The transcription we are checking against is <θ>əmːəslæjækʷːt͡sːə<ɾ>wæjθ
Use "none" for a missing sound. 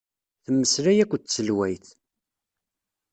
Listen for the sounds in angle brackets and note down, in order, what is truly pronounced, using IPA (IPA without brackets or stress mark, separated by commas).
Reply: θ, l